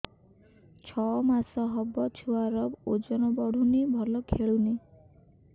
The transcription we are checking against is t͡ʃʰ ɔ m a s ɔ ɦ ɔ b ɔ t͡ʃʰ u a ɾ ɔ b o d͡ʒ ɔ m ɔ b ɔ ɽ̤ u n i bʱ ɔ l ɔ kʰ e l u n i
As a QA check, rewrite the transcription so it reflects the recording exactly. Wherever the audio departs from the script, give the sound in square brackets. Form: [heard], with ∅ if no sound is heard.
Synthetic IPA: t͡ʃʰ ɔ m a s ɔ ɦ ɔ b ɔ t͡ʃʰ u a ɾ ɔ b o d͡ʒ ɔ [n] ɔ b ɔ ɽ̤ u n i bʱ ɔ l ɔ kʰ e [ɭ] u n i